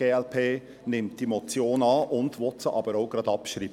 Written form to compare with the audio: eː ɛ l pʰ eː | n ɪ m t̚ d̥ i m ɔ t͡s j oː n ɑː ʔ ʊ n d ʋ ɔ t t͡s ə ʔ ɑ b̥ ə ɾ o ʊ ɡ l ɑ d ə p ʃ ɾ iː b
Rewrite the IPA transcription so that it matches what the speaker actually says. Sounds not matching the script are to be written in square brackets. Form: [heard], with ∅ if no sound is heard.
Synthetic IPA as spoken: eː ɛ l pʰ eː | n ɪ m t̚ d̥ i m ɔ t͡s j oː n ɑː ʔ ʊ n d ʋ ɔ t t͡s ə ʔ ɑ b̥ ə ɾ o ʊ ɡ [ɾ] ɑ d [ɑ] p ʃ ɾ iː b